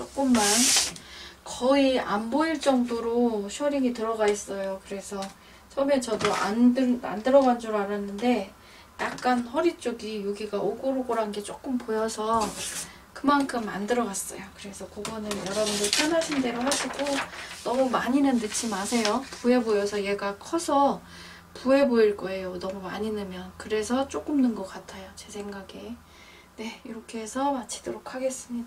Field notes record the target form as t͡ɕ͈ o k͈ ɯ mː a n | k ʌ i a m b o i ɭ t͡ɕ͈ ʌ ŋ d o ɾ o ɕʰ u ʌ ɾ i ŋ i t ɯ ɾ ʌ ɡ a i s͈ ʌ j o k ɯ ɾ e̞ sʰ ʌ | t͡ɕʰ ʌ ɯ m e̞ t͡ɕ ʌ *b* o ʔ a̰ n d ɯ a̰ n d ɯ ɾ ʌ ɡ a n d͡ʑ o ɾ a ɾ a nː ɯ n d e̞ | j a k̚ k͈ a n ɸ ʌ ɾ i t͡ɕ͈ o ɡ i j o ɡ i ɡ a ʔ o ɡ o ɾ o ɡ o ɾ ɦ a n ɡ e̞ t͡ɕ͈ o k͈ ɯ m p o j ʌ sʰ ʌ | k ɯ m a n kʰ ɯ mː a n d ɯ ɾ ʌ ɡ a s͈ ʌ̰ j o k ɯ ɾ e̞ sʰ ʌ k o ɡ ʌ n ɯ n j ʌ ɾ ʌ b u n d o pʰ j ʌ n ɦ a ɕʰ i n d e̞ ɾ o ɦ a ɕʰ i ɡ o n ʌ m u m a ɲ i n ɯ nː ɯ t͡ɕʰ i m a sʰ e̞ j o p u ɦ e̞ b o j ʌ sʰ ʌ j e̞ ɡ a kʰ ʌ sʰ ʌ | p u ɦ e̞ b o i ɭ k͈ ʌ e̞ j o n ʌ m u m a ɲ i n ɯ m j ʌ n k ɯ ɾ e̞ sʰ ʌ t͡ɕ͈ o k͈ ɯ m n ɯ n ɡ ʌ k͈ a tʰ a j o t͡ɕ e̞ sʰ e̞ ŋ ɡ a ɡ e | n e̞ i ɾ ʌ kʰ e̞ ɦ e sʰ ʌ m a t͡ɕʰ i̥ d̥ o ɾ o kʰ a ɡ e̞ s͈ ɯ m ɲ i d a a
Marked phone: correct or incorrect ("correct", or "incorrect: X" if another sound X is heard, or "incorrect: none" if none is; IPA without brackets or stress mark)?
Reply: incorrect: d